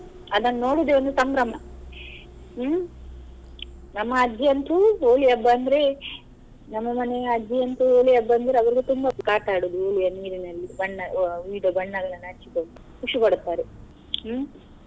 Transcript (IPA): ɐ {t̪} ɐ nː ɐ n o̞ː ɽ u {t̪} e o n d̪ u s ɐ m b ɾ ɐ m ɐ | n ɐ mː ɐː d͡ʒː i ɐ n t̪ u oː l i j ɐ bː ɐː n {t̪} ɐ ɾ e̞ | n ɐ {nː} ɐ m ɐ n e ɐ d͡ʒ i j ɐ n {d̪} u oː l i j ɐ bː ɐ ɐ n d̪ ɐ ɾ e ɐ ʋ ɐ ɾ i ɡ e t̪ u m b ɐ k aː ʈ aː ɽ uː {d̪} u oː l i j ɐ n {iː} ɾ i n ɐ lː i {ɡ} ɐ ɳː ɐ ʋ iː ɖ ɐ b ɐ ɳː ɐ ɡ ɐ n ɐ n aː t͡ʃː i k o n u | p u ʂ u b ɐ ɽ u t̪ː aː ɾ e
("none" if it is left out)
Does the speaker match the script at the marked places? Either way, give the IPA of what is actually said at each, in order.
d̪, d̪, d̪, mː, t̪, d̪, iː, b

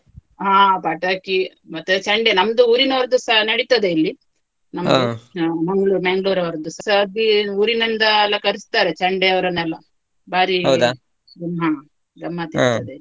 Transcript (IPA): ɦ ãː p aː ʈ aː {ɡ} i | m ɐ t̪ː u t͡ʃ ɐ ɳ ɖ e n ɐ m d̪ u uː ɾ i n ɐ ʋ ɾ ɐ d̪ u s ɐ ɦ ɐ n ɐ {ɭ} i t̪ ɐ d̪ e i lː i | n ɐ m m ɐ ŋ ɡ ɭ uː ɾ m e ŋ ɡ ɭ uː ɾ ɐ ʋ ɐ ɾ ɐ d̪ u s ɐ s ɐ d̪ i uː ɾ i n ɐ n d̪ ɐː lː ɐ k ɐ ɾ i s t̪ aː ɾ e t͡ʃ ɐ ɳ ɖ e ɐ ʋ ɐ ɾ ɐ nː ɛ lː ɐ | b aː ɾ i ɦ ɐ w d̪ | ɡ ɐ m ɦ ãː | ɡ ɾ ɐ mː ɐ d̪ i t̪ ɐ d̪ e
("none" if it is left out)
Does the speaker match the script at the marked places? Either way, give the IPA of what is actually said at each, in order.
k, ɽ

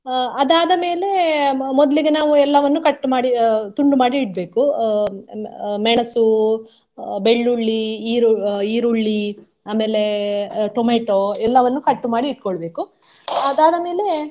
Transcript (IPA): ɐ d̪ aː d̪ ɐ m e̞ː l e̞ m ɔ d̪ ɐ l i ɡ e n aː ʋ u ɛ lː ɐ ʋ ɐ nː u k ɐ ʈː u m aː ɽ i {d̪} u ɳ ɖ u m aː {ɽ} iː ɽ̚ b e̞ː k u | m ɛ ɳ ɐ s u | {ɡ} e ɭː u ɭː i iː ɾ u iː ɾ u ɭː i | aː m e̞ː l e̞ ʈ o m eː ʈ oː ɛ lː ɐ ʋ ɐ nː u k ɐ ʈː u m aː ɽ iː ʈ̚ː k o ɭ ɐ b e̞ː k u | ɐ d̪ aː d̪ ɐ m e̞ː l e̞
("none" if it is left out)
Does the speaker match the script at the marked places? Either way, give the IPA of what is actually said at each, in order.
t̪, ɽ, b

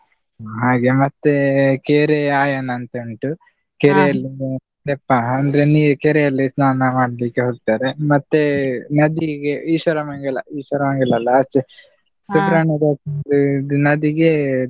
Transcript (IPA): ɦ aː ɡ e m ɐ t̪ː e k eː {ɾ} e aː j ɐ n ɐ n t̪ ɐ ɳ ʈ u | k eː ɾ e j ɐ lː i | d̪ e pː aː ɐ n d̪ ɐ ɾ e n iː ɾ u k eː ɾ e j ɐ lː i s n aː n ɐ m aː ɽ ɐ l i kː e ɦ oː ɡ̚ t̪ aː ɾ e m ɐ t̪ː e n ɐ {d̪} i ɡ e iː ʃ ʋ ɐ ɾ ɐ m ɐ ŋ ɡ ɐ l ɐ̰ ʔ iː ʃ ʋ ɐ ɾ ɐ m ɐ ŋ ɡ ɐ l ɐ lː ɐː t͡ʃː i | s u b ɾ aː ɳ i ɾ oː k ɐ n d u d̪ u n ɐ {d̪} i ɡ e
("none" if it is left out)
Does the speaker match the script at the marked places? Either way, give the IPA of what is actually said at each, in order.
ɾ, d̪, d̪

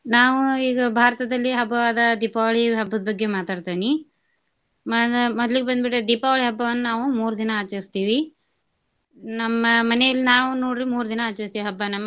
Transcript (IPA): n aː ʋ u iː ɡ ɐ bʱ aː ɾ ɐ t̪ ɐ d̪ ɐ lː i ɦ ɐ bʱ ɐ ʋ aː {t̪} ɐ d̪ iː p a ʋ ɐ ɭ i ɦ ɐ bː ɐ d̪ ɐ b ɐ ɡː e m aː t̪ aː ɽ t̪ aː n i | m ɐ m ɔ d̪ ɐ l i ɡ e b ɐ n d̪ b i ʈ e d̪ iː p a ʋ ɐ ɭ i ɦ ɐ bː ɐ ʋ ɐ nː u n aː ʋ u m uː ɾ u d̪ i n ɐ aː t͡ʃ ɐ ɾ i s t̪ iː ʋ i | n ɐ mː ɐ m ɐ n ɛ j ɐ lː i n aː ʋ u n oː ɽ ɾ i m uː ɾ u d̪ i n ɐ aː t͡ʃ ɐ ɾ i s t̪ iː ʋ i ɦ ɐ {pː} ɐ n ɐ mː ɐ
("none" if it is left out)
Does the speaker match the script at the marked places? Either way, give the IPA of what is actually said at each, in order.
d̪, bː

